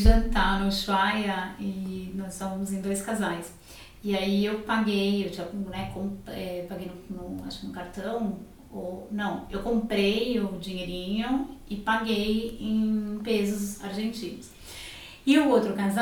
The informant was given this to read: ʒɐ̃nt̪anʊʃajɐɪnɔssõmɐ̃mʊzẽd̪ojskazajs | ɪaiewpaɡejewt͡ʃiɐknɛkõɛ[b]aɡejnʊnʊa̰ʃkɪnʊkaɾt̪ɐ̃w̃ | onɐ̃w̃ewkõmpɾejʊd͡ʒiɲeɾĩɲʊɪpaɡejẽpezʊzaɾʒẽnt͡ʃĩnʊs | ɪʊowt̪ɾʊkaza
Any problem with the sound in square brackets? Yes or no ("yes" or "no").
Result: yes